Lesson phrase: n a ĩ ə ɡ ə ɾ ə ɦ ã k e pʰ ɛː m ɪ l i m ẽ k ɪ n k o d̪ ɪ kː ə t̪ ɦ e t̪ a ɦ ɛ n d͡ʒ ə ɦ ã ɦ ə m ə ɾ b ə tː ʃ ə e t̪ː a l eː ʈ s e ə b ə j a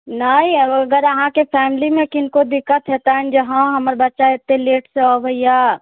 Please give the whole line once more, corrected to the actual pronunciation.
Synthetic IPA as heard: n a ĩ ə ɡ ə ɾ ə ɦ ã k e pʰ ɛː m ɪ l i m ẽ k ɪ n k o d̪ ɪ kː ə t̪ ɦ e t̪ a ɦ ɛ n d͡ʒ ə ɦ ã ɦ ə m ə ɾ b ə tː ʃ a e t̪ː e l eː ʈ s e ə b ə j a

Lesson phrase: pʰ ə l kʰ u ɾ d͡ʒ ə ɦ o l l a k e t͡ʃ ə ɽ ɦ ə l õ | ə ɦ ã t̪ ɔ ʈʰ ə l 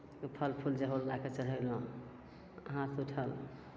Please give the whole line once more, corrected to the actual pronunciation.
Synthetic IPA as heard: pʰ ə l pʰ u l d͡ʒ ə ɦ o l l a k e t͡ʃ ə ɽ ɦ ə l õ | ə ɦ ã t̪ u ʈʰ ə l

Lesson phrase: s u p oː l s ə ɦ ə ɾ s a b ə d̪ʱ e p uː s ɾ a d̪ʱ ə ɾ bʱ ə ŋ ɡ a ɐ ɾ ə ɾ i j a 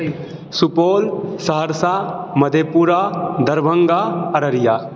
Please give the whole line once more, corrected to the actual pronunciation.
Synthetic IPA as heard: s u p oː l s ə ɦ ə ɾ s a m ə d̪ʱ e p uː ɾ a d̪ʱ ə ɾ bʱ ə ŋ ɡ a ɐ ɾ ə ɾ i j a

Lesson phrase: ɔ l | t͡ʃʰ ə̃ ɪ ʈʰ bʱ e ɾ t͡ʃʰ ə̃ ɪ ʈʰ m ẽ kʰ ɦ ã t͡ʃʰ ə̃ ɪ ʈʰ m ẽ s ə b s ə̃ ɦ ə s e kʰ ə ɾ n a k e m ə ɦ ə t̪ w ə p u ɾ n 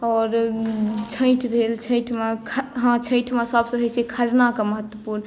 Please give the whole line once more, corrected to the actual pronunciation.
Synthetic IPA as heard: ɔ ɾ | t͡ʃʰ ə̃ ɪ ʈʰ bʱ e l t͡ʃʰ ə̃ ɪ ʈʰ m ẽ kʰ ɦ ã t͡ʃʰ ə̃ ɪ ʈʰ m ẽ s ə b s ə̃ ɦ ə s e kʰ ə ɾ n a k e m ə ɦ ə t̪ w ə p u ɾ n

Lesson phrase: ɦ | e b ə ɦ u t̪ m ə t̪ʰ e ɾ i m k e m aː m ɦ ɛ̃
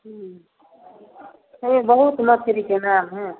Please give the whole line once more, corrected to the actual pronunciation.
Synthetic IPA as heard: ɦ | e b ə ɦ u t̪ m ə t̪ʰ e ɾ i k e n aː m ɦ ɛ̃

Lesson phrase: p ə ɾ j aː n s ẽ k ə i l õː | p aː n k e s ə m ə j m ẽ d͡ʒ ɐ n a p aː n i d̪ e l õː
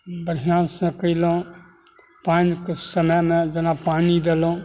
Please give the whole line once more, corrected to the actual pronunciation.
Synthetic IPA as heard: b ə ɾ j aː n s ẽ k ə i l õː | p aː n k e s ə m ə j m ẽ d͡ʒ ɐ n a p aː n i d̪ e l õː

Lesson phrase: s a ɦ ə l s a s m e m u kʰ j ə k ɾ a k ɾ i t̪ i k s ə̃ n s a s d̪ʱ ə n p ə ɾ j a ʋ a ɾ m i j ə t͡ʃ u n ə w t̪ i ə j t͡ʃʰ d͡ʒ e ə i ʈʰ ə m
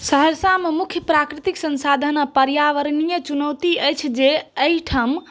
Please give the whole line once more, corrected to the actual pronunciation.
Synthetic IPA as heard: s ə ɦ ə ɾ s a m e m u kʰ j ə p ɾ a k ɾ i t̪ i k s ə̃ n s a d̪ʱ ə n p ə ɾ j a ʋ ə ɾ n i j ə t͡ʃ u n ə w t̪ i ə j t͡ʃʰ d͡ʒ e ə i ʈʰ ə m

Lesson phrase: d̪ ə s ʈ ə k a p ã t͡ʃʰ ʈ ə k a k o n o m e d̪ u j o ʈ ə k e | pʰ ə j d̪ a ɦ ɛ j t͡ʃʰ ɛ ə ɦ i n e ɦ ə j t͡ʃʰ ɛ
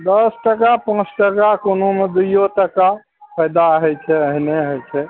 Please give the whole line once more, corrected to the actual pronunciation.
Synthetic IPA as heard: d̪ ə s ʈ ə k a p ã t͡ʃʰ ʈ ə k a k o n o m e d̪ u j o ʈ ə k a | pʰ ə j d̪ a ɦ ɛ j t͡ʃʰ ɛ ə ɦ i n e ɦ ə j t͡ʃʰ ɛ

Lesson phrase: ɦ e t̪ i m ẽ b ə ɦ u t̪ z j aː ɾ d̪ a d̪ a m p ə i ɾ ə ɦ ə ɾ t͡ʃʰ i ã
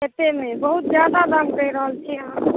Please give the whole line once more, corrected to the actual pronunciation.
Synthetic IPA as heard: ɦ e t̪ e m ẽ b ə ɦ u t̪ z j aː d̪ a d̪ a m k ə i ɾ ə ɦ ə l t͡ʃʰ i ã

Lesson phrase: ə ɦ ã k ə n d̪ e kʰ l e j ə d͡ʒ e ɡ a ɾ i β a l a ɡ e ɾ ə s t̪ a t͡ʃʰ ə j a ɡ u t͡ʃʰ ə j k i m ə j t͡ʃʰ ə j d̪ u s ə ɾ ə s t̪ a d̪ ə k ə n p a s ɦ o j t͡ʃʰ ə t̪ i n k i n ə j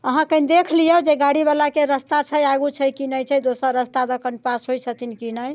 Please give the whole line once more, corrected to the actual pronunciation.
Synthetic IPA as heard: ə ɦ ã k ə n d̪ e kʰ l i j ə d͡ʒ e ɡ a ɽ i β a l a k e ɾ ə s t̪ a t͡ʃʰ ə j a ɡ u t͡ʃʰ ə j k i n ə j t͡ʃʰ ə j d̪ o s ə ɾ ə s t̪ a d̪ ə k ə n p a s ɦ o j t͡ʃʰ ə t̪ i n k i n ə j

